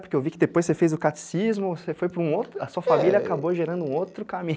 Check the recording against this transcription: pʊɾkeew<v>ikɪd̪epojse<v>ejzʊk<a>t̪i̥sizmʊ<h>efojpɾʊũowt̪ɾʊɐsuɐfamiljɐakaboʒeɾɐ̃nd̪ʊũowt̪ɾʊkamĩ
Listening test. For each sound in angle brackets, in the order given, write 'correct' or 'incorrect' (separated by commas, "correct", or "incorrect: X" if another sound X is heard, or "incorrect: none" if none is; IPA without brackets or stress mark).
correct, incorrect: f, correct, incorrect: s